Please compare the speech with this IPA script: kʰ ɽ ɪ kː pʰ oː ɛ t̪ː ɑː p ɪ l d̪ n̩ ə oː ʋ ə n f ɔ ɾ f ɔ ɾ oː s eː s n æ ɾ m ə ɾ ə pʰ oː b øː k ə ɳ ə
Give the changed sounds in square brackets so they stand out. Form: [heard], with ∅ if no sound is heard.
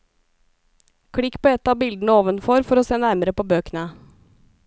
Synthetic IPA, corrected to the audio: kʰ ɽ ɪ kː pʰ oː ɛ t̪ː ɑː [b] ɪ l d̪ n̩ ə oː ʋ ə n f ɔ ɾ f ɔ ɾ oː s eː [∅] n æ ɾ m ə ɾ ə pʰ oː b øː k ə [n] ə